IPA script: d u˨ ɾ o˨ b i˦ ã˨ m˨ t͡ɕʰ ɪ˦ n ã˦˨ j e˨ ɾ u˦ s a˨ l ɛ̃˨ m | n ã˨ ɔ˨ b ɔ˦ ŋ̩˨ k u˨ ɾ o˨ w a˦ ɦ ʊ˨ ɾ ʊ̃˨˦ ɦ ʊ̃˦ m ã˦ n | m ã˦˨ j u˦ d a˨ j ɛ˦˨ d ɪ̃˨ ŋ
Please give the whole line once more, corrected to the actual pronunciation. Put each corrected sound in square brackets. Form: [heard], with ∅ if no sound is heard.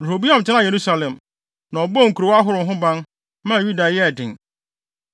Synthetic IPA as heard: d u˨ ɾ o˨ b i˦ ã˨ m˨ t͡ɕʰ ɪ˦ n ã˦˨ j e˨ ɾ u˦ s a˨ l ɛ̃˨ m | n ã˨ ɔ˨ b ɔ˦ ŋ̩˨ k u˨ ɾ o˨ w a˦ ɦ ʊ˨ ɾ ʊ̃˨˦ ɦ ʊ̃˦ [b] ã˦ n | m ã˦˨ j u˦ d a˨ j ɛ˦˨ d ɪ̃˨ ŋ